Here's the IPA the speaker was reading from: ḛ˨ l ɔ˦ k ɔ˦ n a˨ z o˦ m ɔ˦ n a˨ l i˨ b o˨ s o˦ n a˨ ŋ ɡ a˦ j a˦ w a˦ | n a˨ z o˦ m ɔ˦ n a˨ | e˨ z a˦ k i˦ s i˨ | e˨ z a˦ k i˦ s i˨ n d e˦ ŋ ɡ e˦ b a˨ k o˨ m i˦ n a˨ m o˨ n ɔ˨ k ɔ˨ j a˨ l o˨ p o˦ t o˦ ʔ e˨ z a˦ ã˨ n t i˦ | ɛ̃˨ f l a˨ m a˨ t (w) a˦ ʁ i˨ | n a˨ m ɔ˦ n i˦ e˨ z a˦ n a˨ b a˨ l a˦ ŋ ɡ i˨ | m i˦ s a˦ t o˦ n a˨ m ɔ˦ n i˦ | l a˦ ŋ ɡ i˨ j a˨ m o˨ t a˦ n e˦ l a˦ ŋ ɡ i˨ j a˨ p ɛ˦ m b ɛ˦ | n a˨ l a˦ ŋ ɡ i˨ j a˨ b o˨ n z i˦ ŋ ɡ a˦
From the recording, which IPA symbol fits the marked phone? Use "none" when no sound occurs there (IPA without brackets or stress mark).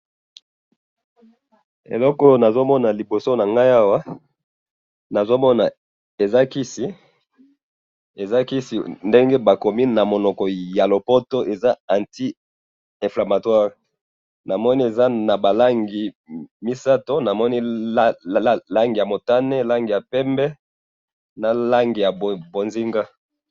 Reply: w